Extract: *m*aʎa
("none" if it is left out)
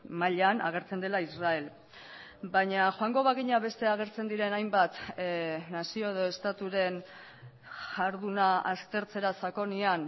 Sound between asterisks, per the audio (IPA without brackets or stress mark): m